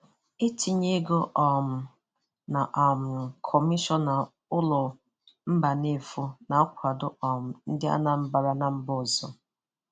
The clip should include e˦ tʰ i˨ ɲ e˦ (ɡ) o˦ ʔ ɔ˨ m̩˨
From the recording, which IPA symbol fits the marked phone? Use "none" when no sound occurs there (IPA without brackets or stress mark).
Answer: ɡ